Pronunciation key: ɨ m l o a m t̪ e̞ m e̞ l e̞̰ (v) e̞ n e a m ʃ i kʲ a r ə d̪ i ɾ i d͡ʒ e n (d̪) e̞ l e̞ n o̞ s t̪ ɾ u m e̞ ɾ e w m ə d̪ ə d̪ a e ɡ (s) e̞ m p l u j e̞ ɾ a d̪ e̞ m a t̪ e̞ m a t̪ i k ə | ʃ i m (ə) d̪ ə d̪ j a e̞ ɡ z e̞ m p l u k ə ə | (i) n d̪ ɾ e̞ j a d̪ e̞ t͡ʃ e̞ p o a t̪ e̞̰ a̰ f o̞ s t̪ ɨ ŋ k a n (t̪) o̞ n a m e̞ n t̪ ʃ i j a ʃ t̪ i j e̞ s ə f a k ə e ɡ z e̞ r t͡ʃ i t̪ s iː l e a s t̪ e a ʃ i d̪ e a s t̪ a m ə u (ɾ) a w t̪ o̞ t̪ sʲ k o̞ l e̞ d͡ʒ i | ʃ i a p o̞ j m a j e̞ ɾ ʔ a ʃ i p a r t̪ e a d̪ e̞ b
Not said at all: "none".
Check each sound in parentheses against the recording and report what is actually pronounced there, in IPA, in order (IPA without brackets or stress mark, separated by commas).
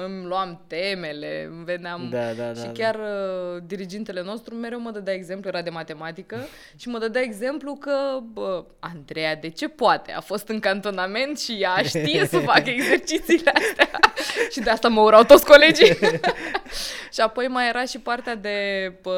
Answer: v, t̪, z, ə, a, t̪, ɾ